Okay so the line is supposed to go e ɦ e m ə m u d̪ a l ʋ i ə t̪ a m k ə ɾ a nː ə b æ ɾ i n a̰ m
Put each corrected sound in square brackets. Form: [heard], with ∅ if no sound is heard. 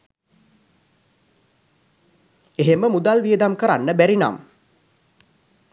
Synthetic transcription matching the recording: e ɦ e m ə m u d̪ a l ʋ i ə [d̪] a m k ə ɾ a nː ə b æ ɾ i n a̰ m